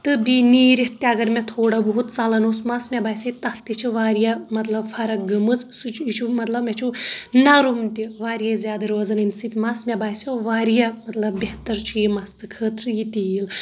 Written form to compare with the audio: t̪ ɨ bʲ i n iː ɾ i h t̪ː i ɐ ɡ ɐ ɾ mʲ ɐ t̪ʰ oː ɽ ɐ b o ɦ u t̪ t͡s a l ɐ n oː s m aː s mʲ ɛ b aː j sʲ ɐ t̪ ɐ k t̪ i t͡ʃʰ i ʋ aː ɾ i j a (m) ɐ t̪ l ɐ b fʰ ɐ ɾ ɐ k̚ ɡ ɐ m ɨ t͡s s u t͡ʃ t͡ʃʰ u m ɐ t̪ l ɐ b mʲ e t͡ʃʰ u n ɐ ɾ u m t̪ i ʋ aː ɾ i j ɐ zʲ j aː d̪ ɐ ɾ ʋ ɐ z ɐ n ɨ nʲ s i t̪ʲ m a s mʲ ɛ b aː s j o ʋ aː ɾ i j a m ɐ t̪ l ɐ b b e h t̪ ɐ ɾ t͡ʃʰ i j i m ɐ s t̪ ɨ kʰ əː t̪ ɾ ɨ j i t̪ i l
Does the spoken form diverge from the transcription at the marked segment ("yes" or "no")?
no